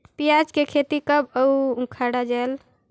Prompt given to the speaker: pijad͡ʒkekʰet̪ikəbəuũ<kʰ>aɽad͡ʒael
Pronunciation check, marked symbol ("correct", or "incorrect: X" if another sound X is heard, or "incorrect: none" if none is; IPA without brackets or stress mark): correct